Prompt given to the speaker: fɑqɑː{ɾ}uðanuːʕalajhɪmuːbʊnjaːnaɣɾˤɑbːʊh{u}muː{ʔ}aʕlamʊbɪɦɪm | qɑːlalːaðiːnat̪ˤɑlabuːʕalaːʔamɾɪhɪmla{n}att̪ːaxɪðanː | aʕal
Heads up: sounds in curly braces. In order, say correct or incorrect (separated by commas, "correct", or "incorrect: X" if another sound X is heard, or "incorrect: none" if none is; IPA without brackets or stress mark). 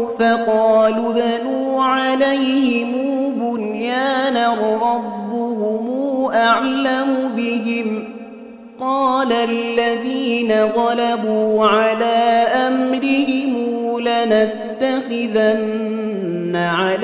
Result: incorrect: l, incorrect: ʊ, correct, correct